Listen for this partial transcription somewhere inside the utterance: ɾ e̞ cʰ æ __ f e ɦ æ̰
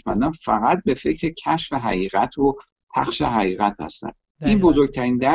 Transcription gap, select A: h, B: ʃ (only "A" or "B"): B